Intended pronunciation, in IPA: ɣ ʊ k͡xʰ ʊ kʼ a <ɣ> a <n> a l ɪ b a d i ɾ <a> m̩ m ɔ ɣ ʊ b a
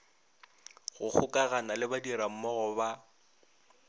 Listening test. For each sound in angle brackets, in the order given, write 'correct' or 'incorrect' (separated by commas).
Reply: correct, correct, correct